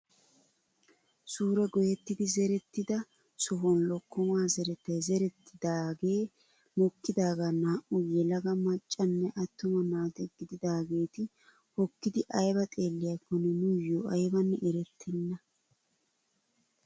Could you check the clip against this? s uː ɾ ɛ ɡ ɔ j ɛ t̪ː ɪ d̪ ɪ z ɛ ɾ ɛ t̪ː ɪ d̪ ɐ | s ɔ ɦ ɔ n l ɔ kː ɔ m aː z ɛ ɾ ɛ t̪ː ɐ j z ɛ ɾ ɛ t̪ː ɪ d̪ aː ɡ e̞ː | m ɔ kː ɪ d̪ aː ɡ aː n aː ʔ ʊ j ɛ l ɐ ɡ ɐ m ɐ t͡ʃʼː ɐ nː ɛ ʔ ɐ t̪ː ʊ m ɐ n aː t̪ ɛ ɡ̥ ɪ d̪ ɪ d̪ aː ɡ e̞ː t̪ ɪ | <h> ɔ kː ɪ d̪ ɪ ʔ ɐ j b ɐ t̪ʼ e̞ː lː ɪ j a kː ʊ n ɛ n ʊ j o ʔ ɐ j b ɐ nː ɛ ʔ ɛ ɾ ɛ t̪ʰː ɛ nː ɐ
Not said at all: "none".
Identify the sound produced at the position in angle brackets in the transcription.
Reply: h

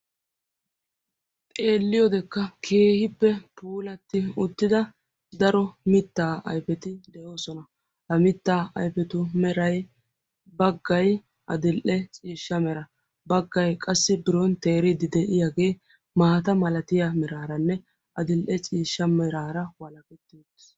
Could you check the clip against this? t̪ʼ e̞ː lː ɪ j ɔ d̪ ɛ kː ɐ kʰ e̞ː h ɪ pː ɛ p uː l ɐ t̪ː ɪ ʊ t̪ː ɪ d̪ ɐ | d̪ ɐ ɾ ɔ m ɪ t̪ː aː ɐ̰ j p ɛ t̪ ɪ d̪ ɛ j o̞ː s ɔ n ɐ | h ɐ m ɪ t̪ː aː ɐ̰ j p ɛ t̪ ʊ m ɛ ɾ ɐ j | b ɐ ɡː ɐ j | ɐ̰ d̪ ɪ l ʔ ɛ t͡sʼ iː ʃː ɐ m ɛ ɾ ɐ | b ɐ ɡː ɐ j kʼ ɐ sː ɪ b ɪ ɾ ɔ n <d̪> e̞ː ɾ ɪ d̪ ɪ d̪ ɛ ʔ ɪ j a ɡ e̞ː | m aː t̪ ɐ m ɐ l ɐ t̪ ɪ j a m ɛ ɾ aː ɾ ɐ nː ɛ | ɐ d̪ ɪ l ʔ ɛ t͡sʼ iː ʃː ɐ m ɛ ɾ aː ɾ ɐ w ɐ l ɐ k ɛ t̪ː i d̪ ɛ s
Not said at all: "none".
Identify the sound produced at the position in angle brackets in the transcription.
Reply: t̪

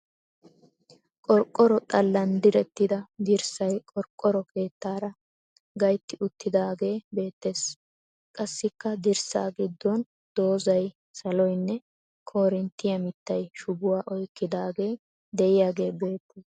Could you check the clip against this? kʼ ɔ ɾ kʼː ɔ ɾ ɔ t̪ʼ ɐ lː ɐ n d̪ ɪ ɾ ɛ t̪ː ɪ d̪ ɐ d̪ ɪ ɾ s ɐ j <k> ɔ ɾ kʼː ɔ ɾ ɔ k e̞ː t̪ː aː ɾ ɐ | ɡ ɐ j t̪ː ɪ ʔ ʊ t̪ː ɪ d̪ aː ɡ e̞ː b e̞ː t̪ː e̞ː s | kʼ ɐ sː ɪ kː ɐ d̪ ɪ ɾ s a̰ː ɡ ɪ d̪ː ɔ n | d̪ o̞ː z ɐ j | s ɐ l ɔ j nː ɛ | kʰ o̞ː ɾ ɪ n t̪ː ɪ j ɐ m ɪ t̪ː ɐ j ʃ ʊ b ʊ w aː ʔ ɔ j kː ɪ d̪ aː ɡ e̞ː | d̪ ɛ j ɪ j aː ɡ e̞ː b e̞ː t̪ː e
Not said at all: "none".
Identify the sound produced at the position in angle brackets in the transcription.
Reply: kʼ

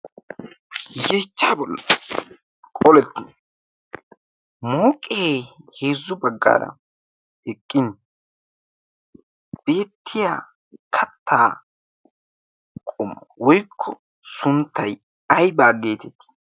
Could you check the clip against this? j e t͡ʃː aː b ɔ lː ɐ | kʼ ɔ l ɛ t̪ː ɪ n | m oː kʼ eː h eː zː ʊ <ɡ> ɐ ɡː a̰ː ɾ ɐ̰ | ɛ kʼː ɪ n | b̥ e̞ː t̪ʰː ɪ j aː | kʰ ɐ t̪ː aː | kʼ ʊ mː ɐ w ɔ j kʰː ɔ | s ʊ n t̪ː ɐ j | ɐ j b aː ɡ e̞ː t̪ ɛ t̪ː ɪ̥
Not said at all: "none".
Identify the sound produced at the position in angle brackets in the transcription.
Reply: b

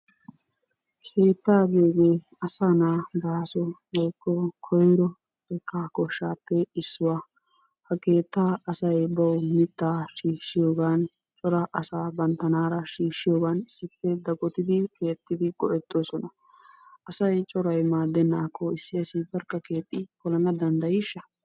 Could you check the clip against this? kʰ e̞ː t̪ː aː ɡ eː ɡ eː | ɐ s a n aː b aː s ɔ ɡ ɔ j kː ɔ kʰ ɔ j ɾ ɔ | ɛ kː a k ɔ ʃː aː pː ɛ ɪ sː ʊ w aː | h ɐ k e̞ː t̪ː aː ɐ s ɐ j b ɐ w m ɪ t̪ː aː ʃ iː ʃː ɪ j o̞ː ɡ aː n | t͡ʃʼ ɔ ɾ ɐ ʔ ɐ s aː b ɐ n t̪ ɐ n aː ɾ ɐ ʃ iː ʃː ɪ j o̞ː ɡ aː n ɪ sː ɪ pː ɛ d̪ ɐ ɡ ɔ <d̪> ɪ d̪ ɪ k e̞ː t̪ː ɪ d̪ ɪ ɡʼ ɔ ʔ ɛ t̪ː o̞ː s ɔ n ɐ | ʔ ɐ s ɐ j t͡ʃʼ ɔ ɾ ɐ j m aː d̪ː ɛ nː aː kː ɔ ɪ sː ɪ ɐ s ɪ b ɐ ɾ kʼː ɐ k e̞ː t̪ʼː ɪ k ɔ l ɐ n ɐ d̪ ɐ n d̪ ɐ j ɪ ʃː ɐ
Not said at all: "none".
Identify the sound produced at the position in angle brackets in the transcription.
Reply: t̪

